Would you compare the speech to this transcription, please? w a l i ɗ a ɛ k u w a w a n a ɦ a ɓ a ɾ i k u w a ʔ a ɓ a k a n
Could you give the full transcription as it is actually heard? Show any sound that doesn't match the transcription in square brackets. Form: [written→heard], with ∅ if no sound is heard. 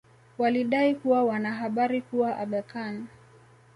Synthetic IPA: w a l i ɗ a [ɛ→i] k u w a w a n a ɦ a ɓ a ɾ i k u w a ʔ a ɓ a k a n